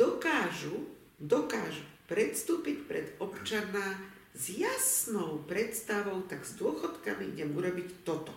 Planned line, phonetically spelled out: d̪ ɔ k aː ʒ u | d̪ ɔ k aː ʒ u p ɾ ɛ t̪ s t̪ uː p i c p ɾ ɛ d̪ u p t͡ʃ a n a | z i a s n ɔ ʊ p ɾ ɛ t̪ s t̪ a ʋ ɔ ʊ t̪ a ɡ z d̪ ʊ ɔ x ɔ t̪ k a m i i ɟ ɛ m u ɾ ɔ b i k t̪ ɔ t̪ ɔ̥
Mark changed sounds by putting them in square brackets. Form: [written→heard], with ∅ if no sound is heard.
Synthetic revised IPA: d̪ ɔ k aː ʒ u | d̪ ɔ k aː ʒ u p ɾ ɛ t̪ s t̪ uː p i c p ɾ ɛ d̪ [u→ɔ] p t͡ʃ a n a | z [i→j] a s n ɔ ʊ p ɾ ɛ t̪ s t̪ a ʋ ɔ ʊ t̪ a ɡ z d̪ ʊ ɔ x ɔ t̪ k a m i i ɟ ɛ m u ɾ ɔ b i [k→c] t̪ ɔ t̪ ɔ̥